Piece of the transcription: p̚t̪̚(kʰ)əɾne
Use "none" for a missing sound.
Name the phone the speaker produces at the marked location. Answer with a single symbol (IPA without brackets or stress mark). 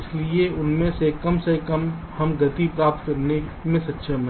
k